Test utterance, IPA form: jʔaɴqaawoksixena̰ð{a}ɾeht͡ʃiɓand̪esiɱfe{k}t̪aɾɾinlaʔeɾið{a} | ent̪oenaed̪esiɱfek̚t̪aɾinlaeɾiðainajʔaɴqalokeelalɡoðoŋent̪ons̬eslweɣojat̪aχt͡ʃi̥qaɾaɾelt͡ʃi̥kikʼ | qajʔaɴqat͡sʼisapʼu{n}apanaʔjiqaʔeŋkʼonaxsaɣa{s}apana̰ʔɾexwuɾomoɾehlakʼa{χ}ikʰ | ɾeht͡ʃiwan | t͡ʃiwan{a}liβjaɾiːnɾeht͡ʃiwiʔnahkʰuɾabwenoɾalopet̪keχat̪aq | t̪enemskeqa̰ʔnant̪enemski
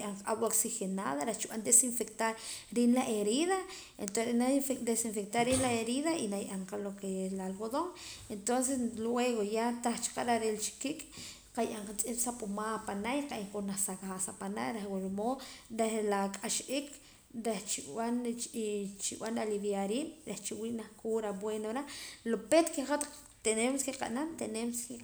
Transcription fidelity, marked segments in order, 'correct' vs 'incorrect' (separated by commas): correct, correct, correct, incorrect, correct, incorrect, correct